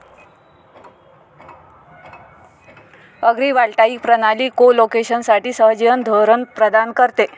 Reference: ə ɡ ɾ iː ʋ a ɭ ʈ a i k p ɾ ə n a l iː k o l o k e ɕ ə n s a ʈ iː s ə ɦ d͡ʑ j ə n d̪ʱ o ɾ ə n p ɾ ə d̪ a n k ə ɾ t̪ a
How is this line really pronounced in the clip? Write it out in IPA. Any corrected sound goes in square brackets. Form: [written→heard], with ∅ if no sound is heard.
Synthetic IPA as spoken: ə ɡ ɾ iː ʋ a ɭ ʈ a i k p ɾ ə n a l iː k o l o k e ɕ ə n s a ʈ iː s ə ɦ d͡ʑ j ə n d̪ʱ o ɾ ə n p ɾ ə d̪ a n k ə ɾ t̪ [a→e]